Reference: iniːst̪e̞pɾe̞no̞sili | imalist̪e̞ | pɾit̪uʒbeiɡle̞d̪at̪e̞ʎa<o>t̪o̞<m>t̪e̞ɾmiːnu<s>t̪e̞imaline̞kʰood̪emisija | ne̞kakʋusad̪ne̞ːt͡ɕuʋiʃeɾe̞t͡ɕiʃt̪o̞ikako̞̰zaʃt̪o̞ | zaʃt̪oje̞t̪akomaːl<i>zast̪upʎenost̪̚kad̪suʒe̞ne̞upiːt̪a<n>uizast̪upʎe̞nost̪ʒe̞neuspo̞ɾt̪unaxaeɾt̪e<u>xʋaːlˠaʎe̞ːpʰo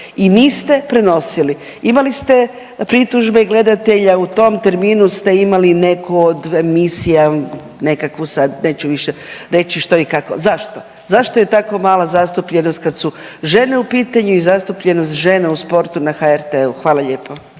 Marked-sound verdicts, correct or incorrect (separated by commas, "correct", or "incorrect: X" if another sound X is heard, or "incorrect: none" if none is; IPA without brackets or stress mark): incorrect: u, correct, correct, incorrect: a, incorrect: ɲ, correct